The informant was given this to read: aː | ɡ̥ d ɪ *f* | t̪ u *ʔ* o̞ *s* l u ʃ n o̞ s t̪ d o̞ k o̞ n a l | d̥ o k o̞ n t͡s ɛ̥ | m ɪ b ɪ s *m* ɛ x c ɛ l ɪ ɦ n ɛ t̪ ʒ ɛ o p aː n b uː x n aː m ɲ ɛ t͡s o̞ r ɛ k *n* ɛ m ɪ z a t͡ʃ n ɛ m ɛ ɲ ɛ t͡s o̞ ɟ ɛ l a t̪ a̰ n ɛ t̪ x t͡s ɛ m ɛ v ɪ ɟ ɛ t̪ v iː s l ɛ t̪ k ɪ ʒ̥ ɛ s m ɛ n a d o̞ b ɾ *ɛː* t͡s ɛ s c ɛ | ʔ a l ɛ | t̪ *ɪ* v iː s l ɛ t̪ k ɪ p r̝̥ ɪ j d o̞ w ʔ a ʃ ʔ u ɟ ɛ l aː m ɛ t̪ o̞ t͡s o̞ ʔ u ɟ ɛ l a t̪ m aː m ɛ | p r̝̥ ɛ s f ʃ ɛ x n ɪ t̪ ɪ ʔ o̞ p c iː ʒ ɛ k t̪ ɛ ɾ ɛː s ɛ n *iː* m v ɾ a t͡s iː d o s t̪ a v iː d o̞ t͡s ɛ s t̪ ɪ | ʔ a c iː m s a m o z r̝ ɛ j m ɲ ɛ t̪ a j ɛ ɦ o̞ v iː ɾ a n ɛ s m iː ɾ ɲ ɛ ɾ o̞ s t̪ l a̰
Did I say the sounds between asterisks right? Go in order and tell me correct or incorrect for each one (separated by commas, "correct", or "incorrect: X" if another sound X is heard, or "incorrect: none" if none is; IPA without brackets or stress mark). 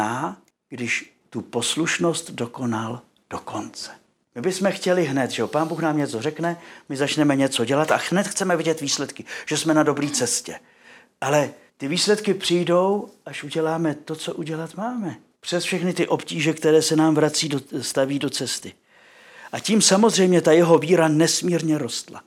incorrect: ʃ, incorrect: p, correct, correct, correct, incorrect: iː, correct, incorrect: aː